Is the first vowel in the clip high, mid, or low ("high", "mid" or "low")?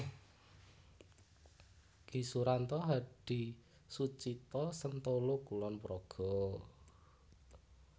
high